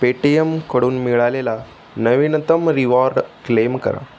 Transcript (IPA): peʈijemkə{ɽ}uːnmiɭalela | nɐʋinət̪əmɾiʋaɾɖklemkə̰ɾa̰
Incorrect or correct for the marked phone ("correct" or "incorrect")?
correct